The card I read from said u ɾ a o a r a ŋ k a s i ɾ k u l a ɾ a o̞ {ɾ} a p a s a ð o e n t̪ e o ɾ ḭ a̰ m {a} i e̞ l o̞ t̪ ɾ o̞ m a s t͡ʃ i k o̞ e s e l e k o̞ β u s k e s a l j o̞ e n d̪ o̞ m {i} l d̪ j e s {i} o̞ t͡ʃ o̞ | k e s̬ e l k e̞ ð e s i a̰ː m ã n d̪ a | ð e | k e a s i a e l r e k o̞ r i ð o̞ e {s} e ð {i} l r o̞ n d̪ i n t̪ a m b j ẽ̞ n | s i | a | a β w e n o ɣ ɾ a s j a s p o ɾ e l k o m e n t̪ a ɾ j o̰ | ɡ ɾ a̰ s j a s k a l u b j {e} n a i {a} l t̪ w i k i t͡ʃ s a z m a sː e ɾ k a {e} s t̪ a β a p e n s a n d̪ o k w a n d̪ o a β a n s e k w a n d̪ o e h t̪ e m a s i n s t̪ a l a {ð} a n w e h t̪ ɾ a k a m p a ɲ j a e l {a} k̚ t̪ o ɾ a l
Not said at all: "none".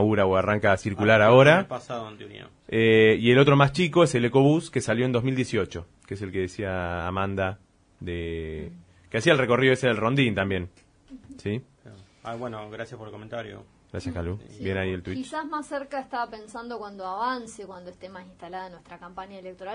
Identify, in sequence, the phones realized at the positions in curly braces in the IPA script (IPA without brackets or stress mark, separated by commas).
ɾ, e, i, i, s, e, e, e, e, ð, e